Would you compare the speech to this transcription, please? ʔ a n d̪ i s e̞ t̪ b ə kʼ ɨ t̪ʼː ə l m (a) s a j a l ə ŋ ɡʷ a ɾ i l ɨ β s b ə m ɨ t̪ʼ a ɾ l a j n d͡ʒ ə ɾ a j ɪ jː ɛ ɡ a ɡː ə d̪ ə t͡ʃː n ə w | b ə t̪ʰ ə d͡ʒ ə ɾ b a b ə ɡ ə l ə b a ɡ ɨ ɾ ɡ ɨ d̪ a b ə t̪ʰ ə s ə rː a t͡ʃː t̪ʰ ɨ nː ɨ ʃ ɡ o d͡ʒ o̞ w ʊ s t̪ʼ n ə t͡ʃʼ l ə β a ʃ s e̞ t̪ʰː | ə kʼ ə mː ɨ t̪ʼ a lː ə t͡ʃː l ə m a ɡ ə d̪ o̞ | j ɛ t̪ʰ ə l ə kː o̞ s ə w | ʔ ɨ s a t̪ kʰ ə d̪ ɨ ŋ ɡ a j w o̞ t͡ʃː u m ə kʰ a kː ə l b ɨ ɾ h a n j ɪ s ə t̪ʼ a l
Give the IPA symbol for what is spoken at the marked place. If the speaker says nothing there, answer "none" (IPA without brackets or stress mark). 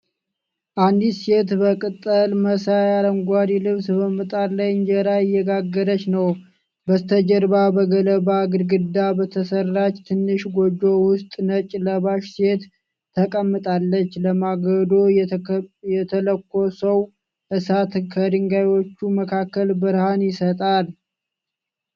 ə